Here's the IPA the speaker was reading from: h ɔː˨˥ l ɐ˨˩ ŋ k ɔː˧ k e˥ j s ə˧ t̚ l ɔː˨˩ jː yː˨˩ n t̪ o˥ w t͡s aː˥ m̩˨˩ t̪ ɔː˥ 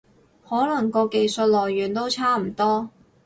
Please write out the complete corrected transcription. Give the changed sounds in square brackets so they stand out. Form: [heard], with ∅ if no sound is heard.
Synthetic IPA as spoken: h ɔː˨˥ l ɐ˨˩ ŋ k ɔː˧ k [e˧] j s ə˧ t̚ l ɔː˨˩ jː yː˨˩ n t̪ o˥ w [t͡sʰ] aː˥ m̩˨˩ t̪ ɔː˥

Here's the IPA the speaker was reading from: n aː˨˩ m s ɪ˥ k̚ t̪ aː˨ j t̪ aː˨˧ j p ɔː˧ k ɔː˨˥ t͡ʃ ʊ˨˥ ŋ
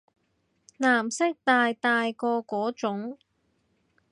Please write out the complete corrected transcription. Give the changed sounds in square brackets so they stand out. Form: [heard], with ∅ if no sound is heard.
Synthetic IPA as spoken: n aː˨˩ m s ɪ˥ k̚ t̪ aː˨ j t̪ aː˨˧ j [k] ɔː˧ k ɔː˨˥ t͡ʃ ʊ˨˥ ŋ

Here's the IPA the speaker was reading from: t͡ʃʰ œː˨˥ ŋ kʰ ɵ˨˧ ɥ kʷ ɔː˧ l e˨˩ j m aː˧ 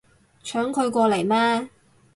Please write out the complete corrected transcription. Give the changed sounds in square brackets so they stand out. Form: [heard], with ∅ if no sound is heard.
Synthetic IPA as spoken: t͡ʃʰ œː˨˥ ŋ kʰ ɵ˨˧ ɥ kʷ ɔː˧ l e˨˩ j m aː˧

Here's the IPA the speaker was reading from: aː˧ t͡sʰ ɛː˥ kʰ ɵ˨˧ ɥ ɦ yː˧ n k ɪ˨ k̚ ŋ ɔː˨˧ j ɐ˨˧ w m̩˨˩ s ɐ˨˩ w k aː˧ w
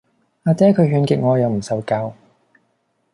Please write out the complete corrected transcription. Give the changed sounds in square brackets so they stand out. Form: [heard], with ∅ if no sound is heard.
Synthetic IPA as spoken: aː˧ [t͡s] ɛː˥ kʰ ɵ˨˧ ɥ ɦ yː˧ n k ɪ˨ k̚ ŋ ɔː˨˧ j ɐ˨˧ w m̩˨˩ s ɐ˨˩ w k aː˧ w

